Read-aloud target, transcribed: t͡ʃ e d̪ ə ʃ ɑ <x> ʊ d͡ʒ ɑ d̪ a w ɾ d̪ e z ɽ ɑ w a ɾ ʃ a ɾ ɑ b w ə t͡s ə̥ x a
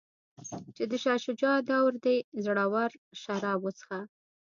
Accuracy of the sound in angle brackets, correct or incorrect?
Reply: incorrect